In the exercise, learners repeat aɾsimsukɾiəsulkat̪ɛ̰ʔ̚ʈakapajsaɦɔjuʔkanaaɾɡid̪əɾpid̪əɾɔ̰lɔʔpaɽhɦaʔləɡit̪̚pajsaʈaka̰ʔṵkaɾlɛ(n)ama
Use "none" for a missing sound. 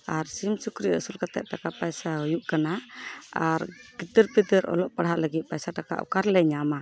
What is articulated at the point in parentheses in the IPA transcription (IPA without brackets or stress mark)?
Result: ɲ